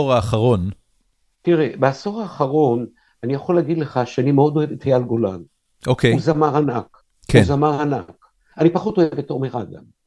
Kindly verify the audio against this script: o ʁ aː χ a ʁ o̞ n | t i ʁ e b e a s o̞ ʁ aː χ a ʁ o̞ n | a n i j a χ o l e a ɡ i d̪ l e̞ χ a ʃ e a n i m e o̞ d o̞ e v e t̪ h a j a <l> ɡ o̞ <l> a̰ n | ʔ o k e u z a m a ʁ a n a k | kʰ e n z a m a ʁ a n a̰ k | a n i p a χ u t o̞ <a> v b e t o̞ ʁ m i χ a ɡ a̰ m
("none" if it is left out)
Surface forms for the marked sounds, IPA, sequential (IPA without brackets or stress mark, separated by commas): l, l, e